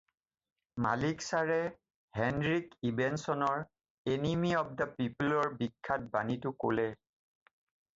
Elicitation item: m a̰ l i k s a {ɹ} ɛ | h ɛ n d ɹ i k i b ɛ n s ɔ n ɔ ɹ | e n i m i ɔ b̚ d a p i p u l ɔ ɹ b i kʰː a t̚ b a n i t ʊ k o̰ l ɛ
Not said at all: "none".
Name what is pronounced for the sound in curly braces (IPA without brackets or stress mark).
ɹ